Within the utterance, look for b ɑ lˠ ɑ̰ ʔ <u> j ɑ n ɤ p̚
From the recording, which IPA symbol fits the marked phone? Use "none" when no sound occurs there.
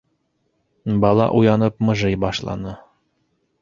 u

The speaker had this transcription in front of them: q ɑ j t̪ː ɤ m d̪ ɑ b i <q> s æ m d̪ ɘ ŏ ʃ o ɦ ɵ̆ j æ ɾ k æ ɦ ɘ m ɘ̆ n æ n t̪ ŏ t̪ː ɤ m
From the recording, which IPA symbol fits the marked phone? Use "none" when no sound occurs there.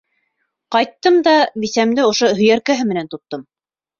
none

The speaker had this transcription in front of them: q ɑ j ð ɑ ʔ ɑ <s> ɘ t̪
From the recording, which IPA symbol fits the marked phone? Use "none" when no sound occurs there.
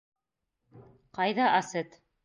s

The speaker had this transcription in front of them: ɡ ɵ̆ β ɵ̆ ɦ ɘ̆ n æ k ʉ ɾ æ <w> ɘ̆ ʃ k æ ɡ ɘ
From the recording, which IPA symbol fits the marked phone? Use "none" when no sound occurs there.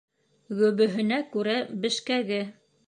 b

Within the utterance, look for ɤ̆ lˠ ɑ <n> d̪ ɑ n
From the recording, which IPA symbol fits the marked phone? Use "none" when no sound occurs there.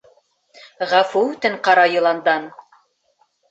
n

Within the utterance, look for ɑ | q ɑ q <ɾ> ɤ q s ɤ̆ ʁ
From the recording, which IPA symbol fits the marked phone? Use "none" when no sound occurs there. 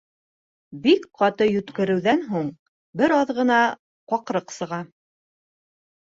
ɾ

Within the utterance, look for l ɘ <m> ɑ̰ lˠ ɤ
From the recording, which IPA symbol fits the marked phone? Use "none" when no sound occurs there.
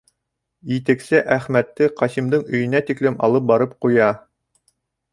m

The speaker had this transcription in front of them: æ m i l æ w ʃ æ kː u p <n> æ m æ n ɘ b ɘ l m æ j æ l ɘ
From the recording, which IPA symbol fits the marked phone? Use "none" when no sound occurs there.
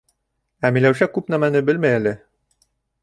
n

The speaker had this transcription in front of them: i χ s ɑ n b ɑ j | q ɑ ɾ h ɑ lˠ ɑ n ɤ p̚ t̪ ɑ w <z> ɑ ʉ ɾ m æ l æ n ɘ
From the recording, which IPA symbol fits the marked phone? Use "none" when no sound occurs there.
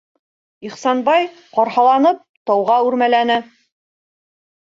ʁ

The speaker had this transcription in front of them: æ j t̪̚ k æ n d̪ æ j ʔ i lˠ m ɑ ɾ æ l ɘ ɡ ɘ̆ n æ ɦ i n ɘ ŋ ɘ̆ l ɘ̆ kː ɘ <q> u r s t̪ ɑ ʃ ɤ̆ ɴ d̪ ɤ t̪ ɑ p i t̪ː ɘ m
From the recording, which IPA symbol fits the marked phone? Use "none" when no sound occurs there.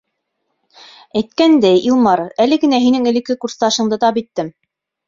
k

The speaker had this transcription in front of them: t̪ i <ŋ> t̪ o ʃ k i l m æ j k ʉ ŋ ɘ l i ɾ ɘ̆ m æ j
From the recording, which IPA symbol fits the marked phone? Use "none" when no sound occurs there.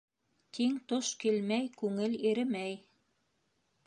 ŋ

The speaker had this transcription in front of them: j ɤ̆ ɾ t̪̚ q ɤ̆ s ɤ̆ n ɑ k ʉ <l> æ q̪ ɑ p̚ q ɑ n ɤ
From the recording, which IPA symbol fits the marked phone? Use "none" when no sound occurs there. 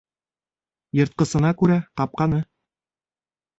ɾ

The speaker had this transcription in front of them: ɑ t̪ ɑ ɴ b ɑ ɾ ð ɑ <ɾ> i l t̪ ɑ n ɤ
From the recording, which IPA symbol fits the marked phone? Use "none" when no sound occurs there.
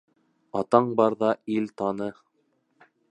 none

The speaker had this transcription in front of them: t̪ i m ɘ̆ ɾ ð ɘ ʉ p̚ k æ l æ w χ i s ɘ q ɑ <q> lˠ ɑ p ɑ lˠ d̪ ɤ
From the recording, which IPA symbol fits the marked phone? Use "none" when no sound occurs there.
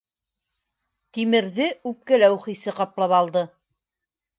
p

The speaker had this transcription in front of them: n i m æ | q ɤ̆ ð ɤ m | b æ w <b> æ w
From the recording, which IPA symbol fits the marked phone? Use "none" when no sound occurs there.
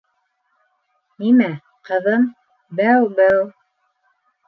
b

